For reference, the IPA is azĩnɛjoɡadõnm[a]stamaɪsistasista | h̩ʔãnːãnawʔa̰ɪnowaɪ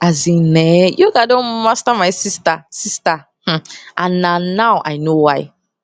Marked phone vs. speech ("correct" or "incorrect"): correct